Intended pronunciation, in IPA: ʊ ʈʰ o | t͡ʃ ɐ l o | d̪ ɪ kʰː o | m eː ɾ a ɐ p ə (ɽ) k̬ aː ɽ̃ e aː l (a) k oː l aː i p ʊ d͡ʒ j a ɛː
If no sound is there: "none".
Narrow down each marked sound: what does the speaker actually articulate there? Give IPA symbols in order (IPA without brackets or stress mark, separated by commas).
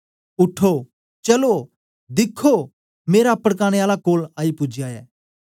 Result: ɽ, a